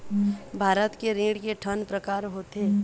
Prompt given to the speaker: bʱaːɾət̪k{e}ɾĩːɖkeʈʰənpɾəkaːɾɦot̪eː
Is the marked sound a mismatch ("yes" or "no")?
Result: no